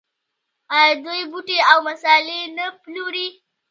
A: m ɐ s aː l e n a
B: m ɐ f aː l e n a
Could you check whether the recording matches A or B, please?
A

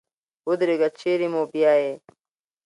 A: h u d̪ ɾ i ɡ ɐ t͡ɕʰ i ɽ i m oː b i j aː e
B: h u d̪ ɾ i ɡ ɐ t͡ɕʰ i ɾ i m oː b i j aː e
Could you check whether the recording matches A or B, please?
B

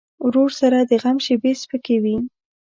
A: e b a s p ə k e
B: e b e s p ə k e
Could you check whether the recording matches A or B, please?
B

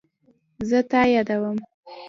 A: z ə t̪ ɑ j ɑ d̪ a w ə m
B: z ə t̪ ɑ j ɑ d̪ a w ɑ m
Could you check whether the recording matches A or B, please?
A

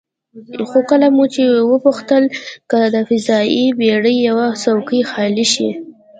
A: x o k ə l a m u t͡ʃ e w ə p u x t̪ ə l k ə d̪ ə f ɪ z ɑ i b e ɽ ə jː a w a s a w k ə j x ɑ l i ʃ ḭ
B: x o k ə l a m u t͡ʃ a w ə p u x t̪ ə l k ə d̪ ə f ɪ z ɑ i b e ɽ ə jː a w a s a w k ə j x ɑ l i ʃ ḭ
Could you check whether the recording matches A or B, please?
A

